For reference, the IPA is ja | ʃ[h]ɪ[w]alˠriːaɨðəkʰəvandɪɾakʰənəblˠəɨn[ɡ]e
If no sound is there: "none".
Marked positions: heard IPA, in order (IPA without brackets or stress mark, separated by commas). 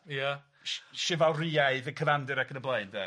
ʃ, v, d